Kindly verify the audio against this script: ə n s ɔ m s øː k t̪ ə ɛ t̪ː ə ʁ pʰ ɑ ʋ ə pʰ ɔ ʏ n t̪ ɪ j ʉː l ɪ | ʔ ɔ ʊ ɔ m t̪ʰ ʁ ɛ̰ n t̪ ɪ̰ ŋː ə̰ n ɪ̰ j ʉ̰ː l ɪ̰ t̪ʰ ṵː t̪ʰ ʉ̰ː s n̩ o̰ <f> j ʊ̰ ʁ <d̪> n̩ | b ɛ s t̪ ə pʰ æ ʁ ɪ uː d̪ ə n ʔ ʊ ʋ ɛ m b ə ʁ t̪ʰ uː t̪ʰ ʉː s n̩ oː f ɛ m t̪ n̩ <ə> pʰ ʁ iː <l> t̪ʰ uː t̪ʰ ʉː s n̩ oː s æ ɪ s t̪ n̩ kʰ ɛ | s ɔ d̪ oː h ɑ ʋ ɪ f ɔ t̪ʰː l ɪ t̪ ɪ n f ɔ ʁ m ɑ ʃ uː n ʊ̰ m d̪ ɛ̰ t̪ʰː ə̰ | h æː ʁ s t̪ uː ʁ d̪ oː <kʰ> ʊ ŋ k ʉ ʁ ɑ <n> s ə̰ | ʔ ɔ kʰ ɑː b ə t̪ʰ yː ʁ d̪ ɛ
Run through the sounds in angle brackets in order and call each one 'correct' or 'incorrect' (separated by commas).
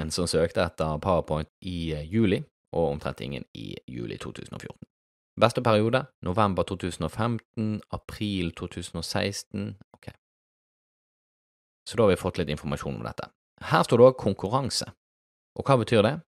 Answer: correct, incorrect, incorrect, correct, correct, incorrect